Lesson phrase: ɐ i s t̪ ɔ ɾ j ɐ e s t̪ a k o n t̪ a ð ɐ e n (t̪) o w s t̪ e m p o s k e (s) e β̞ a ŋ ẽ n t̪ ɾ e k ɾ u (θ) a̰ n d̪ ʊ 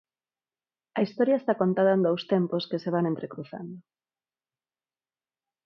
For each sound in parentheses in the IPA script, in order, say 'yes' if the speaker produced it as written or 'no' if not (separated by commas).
no, yes, yes